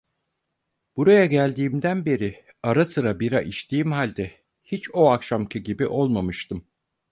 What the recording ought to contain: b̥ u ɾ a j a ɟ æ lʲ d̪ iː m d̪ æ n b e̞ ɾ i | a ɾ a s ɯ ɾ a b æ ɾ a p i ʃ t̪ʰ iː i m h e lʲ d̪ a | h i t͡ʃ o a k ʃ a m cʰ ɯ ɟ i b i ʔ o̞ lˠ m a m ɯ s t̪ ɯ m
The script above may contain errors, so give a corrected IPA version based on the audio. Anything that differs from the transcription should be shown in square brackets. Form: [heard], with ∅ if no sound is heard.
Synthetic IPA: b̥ u ɾ a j a ɟ æ lʲ d̪ iː m d̪ æ n b e̞ ɾ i | a ɾ a s ɯ ɾ a b [i] ɾ a [ʔ] i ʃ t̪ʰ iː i m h [a] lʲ d̪ [ɛ] | h i t͡ʃ o a k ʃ a m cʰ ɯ ɟ i b i ʔ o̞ lˠ m a m ɯ [ʃ] t̪ ɯ m